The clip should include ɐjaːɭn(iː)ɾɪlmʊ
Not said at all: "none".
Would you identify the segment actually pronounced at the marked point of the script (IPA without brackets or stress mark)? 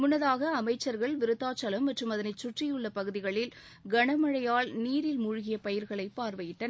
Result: iː